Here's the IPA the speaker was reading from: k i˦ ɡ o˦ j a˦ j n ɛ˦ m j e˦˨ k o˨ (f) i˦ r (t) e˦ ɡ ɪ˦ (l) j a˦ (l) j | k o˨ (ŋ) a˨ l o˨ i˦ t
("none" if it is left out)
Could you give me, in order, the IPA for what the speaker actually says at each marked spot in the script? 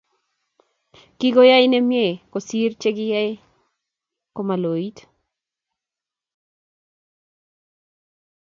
s, t͡ʃ, none, none, m

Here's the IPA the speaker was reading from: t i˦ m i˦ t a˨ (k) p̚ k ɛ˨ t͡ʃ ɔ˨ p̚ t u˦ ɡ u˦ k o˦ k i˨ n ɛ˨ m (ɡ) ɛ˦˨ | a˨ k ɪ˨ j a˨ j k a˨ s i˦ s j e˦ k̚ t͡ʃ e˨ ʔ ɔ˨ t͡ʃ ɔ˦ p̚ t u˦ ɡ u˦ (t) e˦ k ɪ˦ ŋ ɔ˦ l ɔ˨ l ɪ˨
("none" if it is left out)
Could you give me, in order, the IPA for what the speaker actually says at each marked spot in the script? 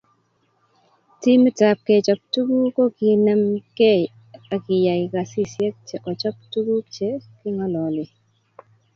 none, k, t͡ʃ

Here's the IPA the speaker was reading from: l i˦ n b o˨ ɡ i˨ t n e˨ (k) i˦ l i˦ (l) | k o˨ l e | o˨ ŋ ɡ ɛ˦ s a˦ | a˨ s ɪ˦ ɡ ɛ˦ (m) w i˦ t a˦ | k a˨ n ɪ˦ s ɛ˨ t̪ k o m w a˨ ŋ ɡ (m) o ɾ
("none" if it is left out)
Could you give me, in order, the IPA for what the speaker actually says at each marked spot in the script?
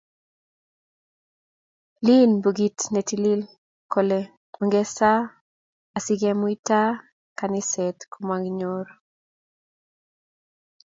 t, l, m, ɲ

